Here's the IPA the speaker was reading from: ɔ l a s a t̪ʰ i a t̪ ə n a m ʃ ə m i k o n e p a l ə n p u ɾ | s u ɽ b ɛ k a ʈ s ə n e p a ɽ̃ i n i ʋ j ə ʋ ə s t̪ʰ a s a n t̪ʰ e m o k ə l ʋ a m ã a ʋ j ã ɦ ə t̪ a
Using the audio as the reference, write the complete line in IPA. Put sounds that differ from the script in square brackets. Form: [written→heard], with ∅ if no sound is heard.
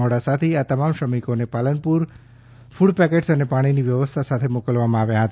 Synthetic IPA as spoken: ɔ [l→ɽ] a s a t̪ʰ i a t̪ ə [n→m] a m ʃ ə m i k o n e p a l ə n p u ɾ | [s→f] u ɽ [b→p] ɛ k [a→e] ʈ s ə n e p a ɽ̃ i n i ʋ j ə ʋ ə s t̪ʰ a s a [n→∅] t̪ʰ e m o k ə l ʋ a m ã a ʋ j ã ɦ ə t̪ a